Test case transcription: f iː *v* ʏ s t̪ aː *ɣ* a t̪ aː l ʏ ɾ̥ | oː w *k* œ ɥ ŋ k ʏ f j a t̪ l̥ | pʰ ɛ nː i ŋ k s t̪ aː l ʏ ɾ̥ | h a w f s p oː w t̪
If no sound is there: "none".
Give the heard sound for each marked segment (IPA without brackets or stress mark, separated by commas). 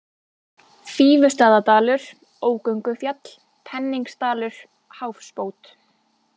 v, ð, k